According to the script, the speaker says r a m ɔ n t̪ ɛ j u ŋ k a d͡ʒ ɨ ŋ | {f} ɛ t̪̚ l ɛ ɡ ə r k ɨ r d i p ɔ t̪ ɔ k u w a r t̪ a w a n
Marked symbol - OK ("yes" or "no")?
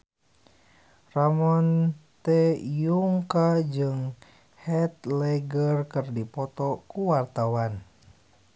no